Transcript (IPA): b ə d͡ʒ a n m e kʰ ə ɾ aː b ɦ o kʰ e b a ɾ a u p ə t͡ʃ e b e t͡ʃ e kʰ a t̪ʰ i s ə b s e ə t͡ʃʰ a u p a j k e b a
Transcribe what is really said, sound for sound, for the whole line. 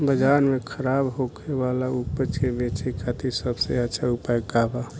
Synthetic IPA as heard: b ə d͡ʒ a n m e kʰ ə ɾ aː b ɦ o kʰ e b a l a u p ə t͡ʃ e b e t͡ʃ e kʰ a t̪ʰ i s ə b s e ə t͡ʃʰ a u p a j k a b a